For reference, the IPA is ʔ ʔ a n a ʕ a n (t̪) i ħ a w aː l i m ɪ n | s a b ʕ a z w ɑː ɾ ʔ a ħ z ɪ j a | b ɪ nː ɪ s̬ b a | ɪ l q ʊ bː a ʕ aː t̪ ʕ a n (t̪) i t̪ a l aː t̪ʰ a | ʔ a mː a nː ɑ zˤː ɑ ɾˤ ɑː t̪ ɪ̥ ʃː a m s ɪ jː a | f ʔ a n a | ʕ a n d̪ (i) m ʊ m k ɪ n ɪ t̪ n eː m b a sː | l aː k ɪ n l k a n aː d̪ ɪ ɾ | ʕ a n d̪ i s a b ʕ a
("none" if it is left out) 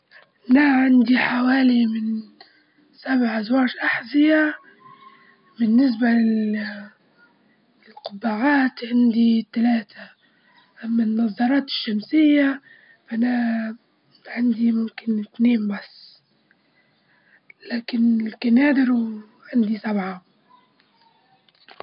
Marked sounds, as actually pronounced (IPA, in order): d̪, d̪, i

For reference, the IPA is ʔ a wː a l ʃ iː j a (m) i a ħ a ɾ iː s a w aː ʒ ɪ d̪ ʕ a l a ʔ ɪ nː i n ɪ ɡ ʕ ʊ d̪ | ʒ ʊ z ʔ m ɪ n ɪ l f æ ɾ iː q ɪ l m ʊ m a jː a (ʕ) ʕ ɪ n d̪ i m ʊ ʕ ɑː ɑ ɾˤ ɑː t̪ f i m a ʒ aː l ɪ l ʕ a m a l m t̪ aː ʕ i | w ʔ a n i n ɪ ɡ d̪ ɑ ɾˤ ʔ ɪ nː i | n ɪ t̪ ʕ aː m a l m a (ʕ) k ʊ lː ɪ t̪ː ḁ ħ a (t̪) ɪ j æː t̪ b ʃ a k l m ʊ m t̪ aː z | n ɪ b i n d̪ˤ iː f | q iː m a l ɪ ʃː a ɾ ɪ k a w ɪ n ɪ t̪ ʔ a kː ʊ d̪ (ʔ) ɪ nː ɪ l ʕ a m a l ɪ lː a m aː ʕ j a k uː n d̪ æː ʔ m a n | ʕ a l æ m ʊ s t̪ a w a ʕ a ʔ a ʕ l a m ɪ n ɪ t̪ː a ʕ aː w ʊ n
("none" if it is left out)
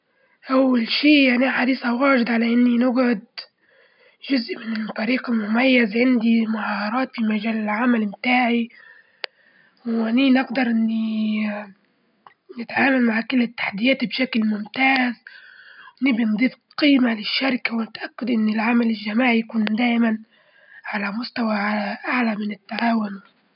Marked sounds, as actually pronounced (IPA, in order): n, z, ʕ, d̪, ʔ

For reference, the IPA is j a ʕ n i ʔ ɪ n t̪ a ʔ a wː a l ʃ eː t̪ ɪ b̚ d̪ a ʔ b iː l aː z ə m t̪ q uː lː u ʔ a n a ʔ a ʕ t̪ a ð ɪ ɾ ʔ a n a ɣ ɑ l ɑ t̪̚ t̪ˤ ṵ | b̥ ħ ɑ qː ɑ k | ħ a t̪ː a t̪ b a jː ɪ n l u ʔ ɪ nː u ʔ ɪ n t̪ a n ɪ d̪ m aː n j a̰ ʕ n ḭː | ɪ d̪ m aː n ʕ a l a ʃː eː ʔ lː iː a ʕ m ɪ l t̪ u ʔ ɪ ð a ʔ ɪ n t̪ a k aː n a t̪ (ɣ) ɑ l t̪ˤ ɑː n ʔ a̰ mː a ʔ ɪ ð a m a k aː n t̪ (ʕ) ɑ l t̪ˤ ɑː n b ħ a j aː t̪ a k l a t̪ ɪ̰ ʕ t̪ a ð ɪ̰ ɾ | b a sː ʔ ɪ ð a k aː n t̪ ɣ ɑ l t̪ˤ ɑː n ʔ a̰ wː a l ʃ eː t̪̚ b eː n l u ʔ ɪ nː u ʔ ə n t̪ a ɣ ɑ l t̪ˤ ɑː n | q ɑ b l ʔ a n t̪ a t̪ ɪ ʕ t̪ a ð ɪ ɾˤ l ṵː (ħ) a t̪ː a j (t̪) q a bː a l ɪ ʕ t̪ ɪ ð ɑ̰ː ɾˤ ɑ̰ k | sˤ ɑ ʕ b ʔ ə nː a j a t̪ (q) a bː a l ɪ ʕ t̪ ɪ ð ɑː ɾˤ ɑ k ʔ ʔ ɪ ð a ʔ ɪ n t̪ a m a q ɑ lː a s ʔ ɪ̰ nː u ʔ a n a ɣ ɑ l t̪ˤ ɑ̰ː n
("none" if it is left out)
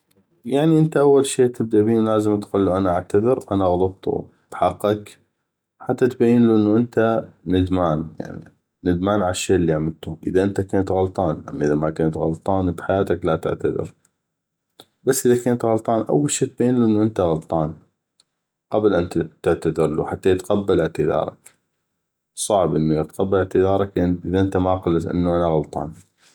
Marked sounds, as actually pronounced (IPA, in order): ɣ, ɣ, ħ, t̪, q

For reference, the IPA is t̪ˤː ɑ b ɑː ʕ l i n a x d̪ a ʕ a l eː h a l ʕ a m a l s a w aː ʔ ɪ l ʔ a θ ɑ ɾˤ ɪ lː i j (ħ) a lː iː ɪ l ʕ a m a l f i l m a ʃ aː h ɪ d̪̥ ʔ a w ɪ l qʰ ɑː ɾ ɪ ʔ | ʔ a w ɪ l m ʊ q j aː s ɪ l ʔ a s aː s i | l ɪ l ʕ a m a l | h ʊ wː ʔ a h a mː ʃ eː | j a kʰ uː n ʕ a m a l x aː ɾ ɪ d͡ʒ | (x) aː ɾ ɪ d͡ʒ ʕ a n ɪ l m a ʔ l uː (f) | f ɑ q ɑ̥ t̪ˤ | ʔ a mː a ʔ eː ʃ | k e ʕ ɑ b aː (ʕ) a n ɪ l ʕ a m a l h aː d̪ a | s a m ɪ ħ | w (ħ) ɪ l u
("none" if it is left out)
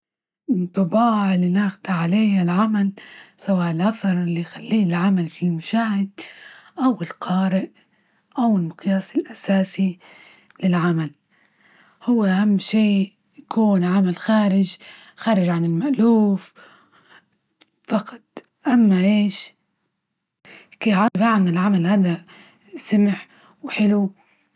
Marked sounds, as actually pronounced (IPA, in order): x, x, f, ʕ, ħ

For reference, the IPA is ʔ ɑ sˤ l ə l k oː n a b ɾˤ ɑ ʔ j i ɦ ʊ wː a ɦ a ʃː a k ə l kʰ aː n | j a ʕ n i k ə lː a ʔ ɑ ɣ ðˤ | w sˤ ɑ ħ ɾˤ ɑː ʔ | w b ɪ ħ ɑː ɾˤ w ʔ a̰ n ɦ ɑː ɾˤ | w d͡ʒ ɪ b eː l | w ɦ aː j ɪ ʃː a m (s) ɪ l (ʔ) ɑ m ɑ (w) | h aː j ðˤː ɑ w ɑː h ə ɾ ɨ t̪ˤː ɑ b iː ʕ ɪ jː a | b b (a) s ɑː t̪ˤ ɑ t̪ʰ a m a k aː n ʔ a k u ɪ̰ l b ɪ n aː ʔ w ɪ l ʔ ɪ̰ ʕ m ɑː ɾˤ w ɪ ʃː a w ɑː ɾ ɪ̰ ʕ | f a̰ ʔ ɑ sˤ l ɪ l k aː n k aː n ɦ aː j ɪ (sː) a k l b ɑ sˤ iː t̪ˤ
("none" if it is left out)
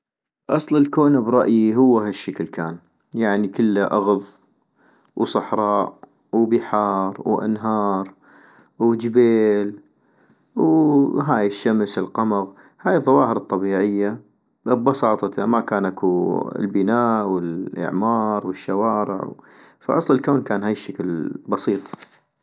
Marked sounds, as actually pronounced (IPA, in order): s, q, ɣ, ɑ, ʃː

